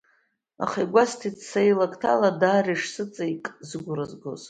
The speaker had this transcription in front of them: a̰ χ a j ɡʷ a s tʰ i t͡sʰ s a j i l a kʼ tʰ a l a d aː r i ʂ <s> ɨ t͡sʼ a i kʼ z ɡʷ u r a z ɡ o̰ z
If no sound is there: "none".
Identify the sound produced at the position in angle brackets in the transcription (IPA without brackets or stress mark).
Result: s